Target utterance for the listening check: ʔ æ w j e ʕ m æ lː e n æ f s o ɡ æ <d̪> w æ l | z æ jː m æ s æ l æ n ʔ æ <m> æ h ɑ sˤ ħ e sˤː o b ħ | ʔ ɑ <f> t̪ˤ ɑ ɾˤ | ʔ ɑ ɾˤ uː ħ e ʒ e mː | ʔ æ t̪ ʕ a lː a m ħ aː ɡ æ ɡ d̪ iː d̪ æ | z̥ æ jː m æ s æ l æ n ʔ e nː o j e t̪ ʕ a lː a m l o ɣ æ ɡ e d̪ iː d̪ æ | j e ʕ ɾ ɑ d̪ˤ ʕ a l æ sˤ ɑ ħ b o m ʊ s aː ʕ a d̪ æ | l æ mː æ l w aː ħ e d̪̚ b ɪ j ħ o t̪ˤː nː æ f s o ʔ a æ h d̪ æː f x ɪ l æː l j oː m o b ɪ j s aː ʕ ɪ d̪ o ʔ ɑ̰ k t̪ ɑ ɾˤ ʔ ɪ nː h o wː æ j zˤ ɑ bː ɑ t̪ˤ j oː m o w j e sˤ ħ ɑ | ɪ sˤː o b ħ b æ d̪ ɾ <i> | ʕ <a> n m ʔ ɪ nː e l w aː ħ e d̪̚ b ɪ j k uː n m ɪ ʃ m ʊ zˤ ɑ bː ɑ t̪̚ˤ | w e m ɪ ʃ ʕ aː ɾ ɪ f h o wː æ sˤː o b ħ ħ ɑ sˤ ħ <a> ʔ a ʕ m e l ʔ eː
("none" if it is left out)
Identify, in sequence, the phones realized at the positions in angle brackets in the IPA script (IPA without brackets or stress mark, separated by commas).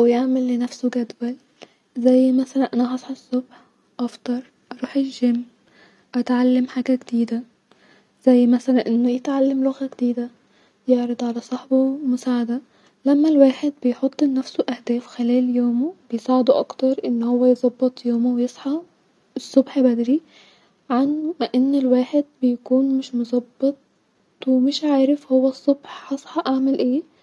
d̪, n, f, i, a, ɑ